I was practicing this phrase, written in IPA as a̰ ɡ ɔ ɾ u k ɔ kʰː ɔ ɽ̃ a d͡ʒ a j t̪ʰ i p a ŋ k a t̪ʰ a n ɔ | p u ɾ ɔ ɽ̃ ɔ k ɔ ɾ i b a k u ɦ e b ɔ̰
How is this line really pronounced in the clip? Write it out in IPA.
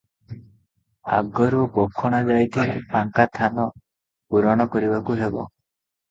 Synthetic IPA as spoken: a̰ ɡ ɔ ɾ u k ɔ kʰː ɔ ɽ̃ a d͡ʒ a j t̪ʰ i p a ŋ k a t̪ʰ a n ɔ | p u ɾ ɔ ɽ̃ ɔ k ɔ ɾ i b a k u ɦ e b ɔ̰